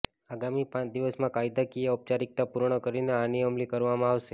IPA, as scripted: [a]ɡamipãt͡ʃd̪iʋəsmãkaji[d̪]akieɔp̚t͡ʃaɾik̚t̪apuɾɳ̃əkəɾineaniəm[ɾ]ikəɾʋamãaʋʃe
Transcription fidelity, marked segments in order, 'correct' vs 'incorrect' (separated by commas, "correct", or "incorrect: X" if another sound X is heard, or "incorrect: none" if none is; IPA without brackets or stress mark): correct, correct, incorrect: l